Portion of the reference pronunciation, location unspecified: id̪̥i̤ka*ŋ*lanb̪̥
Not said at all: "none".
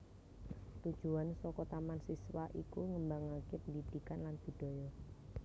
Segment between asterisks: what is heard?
n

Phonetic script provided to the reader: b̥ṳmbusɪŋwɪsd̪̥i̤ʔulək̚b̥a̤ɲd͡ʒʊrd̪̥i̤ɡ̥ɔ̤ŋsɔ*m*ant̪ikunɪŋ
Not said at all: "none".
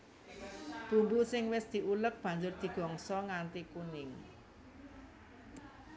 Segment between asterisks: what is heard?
ŋ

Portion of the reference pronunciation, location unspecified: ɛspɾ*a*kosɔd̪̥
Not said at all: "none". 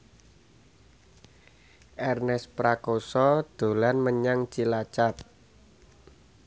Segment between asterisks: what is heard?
a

